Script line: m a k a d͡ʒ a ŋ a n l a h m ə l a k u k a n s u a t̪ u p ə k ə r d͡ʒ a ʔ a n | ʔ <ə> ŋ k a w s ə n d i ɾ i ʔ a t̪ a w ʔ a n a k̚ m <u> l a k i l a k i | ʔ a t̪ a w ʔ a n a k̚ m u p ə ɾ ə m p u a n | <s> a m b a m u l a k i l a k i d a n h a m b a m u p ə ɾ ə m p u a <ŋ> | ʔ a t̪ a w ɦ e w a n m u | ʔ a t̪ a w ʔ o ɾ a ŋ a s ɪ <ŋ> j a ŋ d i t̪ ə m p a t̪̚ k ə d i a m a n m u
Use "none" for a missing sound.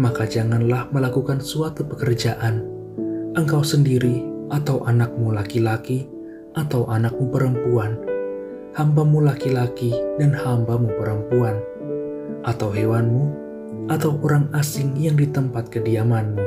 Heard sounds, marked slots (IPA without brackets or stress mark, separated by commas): ə, u, h, n, ŋ